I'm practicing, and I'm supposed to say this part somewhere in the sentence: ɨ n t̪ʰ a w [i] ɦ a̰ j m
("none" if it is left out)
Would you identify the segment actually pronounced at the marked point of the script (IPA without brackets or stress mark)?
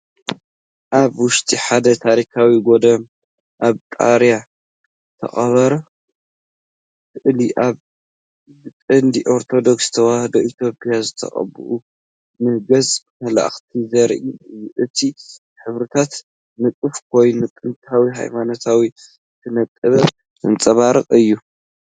i